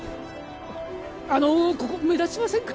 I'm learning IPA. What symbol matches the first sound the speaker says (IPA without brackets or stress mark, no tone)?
a